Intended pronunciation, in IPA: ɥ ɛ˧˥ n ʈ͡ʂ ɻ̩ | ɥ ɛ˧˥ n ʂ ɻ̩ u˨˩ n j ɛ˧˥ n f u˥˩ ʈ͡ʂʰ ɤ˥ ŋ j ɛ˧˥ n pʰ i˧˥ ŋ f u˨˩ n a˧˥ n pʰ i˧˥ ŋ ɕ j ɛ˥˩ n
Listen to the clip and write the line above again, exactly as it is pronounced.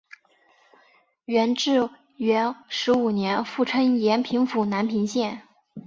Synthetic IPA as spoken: ɥ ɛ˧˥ n ʈ͡ʂ ɻ̩ | ɥ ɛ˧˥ n ʂ ɻ̩ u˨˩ n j ɛ˧˥ n f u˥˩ ʈ͡ʂʰ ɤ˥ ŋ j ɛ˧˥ n pʰ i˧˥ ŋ f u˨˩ n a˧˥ n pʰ i˧˥ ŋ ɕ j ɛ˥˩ n